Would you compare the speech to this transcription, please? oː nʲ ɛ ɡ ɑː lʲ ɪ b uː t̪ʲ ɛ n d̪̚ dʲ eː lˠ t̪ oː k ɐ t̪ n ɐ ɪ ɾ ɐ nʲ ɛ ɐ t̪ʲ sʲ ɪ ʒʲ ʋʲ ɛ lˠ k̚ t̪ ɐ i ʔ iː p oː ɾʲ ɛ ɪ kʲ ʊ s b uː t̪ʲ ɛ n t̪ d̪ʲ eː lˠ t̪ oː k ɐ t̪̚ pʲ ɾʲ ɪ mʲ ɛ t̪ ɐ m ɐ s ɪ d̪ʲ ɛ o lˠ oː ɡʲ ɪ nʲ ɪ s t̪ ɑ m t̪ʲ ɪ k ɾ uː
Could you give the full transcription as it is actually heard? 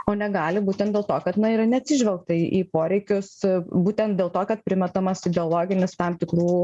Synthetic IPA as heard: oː nʲ ɛ ɡ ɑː lʲ ɪ b uː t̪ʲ ɛ n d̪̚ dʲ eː lˠ t̪ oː k ɐ t̪ n ɐ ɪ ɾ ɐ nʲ ɛ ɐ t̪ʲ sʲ ɪ ʒʲ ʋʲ ɛ lˠ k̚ t̪ ɐ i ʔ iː p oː ɾʲ ɛ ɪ kʲ ʊ s b uː t̪ʲ ɛ n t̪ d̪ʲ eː lˠ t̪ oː k ɐ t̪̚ pʲ ɾʲ ɪ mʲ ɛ t̪ ɐ m ɐ s ɪ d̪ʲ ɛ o lˠ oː ɡʲ ɪ nʲ ɪ s t̪ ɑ m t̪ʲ ɪ k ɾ uː

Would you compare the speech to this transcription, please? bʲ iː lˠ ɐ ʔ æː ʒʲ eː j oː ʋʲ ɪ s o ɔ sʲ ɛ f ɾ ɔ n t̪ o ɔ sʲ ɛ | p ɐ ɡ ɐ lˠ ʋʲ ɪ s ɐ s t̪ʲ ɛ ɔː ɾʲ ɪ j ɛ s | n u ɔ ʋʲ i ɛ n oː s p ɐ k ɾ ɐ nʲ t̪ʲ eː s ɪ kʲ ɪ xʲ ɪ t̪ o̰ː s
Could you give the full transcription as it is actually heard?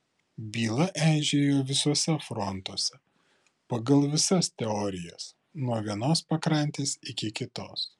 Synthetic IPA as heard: bʲ iː lˠ ɐ ʔ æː ʒʲ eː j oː ʋʲ ɪ s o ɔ sʲ ɛ f ɾ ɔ n t̪ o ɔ sʲ ɛ | p ɐ ɡ ɐ lˠ ʋʲ ɪ s ɐ s t̪ʲ ɛ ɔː ɾʲ ɪ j ɛ s | n u ɔ ʋʲ i ɛ n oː s p ɐ k ɾ ɐ nʲ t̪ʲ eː s ɪ kʲ ɪ kʲ ɪ t̪ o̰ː s

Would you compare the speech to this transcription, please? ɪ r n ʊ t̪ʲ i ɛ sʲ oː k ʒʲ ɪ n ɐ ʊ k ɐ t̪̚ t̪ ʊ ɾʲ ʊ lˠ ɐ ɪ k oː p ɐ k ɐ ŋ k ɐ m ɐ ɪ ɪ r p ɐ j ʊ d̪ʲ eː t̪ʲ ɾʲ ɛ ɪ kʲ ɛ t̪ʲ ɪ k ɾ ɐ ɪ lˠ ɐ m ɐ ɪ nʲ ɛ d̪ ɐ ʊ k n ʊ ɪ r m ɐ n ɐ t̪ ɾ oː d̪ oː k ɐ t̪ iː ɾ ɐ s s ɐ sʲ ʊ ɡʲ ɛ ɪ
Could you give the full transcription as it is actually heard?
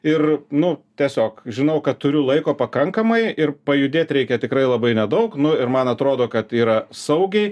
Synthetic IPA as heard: ɪ r n ʊ t̪ʲ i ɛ sʲ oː k ʒʲ ɪ n ɐ ʊ k ɐ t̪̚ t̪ ʊ ɾʲ ʊ lˠ ɐ ɪ k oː p ɐ k ɐ ŋ k ɐ m ɐ ɪ ɪ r p ɐ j ʊ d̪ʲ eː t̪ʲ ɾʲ ɛ ɪ kʲ ɛ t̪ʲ ɪ k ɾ ɐ ɪ lˠ ɐ b ɐ ɪ nʲ ɛ d̪ ɐ ʊ k n ʊ ɪ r m ɐ n ɐ t̪ ɾ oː d̪ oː k ɐ t̪ iː ɾ ɐ s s ɐ ʊ ɡʲ ɛ ɪ

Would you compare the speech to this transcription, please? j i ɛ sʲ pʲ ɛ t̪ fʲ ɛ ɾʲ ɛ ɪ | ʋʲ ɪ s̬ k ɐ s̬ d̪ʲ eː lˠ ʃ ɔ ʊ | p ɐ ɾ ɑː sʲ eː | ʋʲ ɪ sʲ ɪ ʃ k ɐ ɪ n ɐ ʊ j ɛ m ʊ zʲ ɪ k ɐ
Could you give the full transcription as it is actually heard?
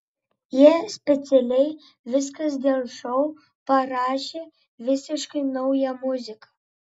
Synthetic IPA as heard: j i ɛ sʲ pʲ ɛ t̪ sʲ ɛ lʲ ɛ ɪ | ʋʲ ɪ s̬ k ɐ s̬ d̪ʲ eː lˠ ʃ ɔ ʊ | p ɐ ɾ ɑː ʃʲ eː | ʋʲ ɪ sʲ ɪ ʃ k ɐ ɪ n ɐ ʊ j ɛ m ʊ zʲ ɪ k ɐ

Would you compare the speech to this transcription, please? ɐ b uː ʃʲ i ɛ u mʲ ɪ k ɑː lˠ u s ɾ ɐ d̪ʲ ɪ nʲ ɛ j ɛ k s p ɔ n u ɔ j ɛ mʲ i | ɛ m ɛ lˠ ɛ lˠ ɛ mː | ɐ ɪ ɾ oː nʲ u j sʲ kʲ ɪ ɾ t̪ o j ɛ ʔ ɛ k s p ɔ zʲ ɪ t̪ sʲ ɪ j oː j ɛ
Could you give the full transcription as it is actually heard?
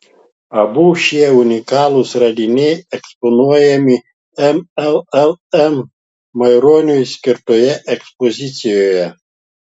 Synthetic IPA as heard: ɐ b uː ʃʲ i ɛ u nʲ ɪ k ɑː lˠ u s ɾ ɐ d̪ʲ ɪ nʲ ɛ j ɛ k s p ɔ n u ɔ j ɛ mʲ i | ɛ m ɛ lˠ ɛ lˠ ɛ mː | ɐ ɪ ɾ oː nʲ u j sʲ kʲ ɪ ɾ t̪ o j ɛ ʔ ɛ k s p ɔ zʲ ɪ t̪ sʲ ɪ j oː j ɛ

